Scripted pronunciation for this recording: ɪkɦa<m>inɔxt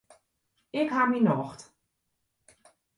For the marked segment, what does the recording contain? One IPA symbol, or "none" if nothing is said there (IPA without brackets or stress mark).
m